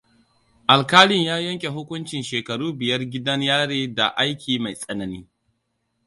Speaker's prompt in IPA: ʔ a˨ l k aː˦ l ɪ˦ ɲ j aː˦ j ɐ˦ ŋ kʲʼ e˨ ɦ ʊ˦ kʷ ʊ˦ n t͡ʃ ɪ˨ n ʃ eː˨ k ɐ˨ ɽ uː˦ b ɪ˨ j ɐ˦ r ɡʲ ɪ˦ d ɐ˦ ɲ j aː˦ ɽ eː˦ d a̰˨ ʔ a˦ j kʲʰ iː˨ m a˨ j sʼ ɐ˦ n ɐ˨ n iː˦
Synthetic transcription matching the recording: ʔ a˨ l k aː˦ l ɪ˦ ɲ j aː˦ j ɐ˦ ŋ kʲʼ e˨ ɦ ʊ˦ kʷ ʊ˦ n t͡ʃ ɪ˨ n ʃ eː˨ k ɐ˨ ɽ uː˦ b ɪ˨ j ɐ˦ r ɡʲ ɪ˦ d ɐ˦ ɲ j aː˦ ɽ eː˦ d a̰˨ ʔ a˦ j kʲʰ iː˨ m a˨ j sʼ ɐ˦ n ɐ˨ n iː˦